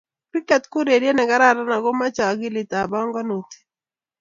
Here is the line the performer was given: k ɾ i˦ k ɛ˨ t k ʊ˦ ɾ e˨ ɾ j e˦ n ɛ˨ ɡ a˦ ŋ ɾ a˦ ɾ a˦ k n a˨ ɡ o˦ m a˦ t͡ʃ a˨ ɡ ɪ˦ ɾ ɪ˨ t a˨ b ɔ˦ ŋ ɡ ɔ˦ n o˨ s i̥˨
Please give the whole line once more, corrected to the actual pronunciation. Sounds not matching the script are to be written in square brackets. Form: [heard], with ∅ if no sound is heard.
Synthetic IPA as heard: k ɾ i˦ k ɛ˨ t k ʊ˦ ɾ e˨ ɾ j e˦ n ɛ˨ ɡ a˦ [∅] ɾ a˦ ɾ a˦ [∅] n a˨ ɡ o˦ m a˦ t͡ʃ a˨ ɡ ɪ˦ [l] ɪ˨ t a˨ b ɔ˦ ŋ ɡ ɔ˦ n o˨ [t] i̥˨